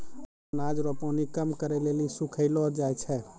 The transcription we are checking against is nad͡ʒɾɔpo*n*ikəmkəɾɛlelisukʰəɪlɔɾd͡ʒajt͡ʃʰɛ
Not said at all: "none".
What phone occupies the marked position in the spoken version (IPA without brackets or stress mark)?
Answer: n